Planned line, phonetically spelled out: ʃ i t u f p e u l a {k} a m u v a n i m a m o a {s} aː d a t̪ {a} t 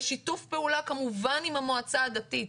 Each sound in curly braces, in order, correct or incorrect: correct, incorrect: t͡s, incorrect: i

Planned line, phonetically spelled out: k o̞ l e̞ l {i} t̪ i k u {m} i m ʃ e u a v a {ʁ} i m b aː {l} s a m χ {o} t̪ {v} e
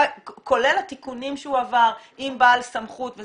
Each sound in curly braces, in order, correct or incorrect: incorrect: a, incorrect: n, correct, correct, incorrect: u, correct

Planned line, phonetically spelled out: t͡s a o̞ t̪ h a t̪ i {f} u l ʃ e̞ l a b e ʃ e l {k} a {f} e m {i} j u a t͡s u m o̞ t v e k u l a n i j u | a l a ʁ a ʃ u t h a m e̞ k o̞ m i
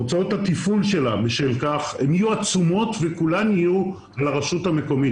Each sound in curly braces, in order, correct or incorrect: correct, correct, incorrect: χ, correct

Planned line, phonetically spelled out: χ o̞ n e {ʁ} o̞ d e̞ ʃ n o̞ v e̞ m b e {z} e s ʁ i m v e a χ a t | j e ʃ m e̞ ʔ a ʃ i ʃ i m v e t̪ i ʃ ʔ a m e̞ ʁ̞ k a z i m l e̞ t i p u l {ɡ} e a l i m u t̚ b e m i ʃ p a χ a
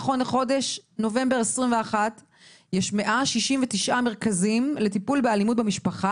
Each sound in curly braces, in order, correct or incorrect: incorrect: χ, incorrect: ʁ, incorrect: b

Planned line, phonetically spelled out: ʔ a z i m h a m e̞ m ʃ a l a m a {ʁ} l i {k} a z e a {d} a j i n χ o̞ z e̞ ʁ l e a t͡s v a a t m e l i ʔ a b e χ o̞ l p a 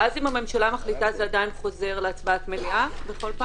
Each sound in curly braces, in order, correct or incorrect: incorrect: χ, incorrect: t, correct

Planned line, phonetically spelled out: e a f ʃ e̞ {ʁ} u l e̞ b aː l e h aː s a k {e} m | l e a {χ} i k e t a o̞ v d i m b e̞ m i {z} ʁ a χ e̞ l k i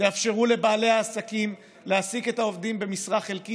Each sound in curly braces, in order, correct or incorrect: correct, incorrect: i, incorrect: s, incorrect: s

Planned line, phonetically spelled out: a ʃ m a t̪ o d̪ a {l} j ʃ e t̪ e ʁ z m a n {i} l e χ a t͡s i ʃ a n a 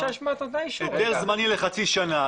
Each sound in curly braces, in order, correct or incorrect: incorrect: none, correct

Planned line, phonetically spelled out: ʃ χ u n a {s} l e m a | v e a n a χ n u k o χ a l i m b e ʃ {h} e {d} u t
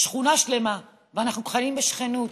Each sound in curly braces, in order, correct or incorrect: incorrect: ʃ, incorrect: χ, incorrect: n

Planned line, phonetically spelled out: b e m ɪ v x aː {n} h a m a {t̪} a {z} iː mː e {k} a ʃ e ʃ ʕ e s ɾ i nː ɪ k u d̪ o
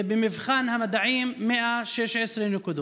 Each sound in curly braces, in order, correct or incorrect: correct, incorrect: d̪, incorrect: ʕ, incorrect: ʔ

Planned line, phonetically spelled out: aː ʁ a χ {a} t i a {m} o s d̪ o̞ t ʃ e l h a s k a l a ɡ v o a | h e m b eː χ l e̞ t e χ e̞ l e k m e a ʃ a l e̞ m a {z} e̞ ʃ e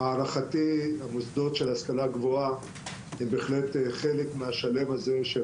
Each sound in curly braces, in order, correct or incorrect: correct, correct, correct

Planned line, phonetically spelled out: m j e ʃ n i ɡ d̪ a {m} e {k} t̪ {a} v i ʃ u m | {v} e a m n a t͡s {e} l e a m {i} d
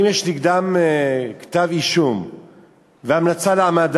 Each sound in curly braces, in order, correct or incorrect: correct, correct, correct, correct, incorrect: a, incorrect: a

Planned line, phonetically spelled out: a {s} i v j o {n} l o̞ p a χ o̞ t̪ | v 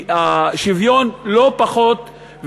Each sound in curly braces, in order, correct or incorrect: incorrect: ʃ, correct

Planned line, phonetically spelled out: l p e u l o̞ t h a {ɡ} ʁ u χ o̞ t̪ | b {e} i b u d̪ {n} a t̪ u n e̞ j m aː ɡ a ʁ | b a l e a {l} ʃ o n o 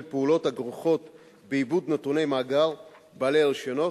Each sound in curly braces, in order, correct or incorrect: correct, correct, correct, correct

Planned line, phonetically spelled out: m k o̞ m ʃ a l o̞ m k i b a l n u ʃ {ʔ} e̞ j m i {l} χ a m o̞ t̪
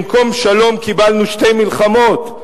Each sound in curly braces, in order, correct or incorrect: incorrect: t, correct

